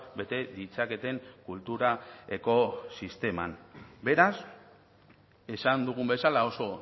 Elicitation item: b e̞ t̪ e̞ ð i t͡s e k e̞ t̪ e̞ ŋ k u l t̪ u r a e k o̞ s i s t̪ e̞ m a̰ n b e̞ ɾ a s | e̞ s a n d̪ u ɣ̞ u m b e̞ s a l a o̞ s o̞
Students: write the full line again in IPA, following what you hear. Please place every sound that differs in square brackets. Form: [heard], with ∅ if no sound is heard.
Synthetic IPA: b e̞ t̪ e̞ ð i t͡s [a] k e̞ t̪ e̞ ŋ k u l t̪ u [ɾ] a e k o̞ s i s t̪ e̞ m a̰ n b e̞ ɾ a s | e̞ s a n d̪ u ɣ̞ u m b e̞ s a l a o̞ s o̞